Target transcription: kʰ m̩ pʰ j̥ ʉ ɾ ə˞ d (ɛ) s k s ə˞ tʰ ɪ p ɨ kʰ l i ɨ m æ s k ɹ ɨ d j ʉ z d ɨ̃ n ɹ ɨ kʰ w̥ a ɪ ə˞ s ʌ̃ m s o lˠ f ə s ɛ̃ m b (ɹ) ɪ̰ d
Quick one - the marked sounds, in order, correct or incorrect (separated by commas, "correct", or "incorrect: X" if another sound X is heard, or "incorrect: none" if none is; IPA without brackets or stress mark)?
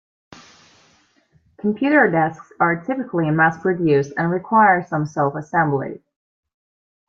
correct, incorrect: l